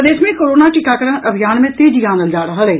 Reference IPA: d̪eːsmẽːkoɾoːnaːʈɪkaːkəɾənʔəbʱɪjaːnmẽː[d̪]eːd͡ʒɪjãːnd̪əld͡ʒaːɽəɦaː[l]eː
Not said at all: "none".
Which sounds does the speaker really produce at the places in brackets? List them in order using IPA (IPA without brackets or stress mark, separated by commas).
t̪, l